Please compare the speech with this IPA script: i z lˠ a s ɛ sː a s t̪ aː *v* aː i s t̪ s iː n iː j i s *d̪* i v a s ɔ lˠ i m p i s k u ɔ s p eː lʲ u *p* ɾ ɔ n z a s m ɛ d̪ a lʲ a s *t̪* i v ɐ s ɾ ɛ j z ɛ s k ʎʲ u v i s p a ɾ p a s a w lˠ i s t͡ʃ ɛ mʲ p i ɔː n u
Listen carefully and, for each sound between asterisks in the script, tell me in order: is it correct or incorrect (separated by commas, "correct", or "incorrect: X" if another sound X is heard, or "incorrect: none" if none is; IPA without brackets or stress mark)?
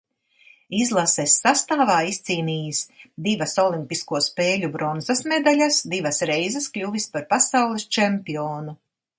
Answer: correct, correct, incorrect: b, incorrect: d̪